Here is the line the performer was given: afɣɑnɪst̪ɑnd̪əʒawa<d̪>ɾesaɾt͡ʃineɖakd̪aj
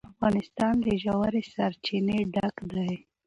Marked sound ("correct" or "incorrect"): incorrect